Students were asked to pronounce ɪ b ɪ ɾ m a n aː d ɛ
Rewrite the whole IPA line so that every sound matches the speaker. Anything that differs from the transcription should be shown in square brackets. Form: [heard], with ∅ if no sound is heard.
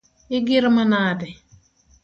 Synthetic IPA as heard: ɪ [ɡ] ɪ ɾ m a n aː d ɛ